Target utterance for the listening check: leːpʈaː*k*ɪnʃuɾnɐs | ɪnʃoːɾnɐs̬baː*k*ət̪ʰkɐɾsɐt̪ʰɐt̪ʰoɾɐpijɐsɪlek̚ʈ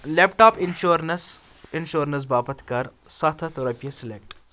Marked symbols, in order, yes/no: no, no

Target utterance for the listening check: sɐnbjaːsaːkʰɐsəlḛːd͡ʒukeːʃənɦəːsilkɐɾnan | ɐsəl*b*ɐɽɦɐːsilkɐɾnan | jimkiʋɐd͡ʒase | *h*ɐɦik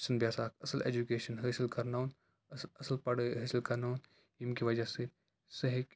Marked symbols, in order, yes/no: no, no

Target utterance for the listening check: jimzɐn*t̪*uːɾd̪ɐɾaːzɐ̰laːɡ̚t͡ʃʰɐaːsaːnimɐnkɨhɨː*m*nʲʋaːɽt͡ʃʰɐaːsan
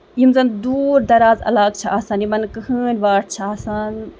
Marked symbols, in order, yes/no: no, no

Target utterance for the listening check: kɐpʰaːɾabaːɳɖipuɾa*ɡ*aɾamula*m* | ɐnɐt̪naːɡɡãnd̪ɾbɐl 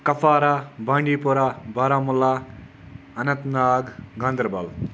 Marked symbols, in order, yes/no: no, no

